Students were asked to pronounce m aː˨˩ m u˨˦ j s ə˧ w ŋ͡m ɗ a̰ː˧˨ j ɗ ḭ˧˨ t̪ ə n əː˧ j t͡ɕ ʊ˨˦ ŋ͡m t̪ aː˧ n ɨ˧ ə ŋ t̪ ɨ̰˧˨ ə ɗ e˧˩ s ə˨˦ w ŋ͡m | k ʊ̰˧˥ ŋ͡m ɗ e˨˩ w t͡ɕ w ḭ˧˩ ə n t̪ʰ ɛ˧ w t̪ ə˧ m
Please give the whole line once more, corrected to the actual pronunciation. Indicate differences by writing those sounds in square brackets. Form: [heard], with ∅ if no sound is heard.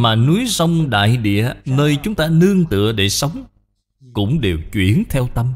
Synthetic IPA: m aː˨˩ [n] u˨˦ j s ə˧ w ŋ͡m ɗ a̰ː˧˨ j ɗ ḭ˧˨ [∅] ə n əː˧ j t͡ɕ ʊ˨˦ ŋ͡m t̪ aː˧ n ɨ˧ ə ŋ t̪ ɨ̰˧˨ ə ɗ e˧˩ s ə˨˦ w ŋ͡m | k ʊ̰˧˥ ŋ͡m ɗ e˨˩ w t͡ɕ w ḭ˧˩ ə n t̪ʰ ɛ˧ w t̪ ə˧ m